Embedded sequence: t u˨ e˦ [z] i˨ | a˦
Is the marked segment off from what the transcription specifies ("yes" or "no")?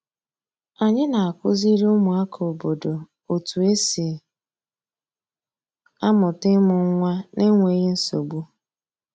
yes